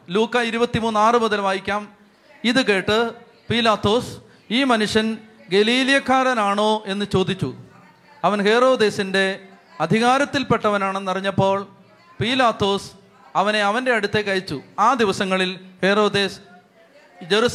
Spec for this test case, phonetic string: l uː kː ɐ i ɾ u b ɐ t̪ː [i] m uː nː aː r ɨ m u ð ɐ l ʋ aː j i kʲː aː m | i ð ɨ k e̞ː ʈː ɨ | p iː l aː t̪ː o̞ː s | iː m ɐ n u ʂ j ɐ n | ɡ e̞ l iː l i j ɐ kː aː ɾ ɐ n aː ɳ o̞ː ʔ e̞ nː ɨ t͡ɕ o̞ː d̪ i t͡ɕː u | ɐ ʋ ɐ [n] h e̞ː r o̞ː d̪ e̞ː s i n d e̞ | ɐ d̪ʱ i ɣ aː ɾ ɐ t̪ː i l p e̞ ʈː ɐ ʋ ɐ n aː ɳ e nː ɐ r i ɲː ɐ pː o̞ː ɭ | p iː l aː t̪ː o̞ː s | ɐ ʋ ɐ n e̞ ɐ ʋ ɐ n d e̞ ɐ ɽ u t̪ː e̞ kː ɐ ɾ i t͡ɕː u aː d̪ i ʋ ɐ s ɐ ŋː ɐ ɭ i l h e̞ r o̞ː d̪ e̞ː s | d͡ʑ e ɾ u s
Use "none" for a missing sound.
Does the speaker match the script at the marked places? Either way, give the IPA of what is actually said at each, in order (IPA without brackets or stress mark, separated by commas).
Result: i, n